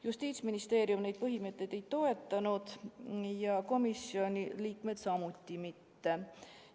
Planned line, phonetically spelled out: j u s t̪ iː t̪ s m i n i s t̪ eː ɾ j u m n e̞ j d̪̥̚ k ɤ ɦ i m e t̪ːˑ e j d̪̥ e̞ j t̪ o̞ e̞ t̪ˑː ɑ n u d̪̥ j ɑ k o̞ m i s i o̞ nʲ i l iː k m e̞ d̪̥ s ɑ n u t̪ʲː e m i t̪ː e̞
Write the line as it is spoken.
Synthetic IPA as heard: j u s t̪ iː t̪ s m i n i s t̪ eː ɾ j u m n e̞ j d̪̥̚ p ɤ ɦ i m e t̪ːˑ e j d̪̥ e̞ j t̪ o̞ e̞ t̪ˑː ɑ n u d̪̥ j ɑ k o̞ m i s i o̞ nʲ i l iː k m e̞ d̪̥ s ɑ m u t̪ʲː i m i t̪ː e̞